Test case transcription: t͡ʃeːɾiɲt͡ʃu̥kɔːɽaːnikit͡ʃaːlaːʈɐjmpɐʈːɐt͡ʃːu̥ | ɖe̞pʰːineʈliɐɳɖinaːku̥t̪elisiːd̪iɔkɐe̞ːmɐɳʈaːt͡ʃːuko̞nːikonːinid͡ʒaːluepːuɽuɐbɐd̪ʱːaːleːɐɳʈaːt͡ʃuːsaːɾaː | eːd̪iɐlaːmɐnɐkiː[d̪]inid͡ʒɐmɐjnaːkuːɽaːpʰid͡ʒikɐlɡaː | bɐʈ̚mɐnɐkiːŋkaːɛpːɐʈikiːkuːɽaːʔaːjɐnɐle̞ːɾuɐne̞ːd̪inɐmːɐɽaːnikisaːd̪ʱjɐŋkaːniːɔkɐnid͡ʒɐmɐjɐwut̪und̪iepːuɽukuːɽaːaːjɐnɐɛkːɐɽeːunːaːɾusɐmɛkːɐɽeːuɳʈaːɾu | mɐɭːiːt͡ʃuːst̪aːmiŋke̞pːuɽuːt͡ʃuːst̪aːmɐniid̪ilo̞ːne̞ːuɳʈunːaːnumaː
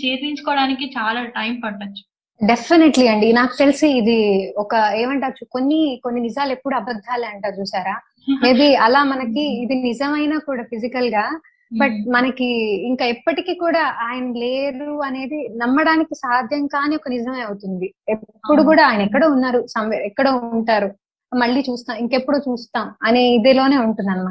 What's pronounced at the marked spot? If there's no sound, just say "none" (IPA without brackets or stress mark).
d̪